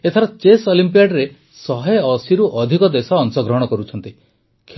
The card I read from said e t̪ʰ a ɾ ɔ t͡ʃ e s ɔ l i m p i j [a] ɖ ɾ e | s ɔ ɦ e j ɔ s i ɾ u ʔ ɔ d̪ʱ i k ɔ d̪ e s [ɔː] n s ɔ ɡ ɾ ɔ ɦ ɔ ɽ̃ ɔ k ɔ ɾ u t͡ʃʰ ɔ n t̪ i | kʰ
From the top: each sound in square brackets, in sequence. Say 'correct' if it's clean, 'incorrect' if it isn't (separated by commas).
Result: correct, correct